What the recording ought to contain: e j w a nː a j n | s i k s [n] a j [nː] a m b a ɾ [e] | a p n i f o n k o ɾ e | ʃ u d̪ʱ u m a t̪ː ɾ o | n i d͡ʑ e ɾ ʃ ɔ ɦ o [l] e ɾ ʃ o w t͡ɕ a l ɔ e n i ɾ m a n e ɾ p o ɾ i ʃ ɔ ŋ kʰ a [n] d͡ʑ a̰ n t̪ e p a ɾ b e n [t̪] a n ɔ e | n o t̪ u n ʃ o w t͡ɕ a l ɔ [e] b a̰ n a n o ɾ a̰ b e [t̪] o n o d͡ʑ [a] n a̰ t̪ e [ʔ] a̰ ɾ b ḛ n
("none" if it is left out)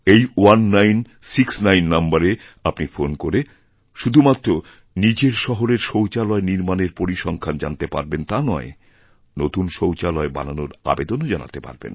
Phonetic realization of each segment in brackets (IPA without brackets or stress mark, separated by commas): n, nː, e, ɾ, n, t̪, e, d̪, a, p